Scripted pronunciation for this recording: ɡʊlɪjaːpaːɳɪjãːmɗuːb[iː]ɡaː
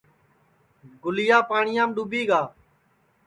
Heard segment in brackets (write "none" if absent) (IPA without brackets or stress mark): iː